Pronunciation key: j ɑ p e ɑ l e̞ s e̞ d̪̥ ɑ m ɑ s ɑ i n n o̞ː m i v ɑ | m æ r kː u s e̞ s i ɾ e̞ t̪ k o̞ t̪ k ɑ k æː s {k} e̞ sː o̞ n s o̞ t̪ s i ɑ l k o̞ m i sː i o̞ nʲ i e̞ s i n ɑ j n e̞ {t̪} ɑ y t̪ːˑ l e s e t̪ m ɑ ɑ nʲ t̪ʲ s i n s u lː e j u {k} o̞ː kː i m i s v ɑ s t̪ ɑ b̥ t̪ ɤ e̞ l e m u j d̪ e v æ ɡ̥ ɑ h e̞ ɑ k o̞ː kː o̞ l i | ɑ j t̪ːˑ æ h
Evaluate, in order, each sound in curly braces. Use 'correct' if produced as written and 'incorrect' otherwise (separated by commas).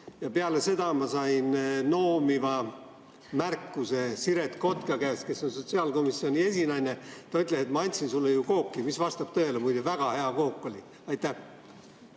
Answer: correct, correct, correct